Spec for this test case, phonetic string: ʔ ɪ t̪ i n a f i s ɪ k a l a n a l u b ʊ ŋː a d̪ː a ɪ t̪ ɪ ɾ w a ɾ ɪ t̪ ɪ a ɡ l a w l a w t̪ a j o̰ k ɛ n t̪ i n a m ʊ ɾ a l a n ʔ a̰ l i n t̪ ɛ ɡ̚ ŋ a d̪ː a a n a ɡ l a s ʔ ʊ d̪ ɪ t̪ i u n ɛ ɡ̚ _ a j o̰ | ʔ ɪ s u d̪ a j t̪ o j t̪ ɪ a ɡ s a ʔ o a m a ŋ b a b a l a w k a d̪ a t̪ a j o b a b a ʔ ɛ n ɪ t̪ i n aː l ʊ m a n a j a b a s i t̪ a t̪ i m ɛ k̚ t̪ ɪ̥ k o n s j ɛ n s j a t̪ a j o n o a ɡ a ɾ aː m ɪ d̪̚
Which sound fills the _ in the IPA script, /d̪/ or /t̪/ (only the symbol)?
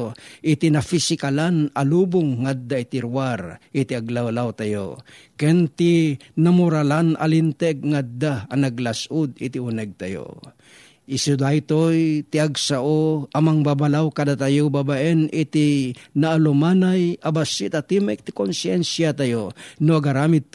t̪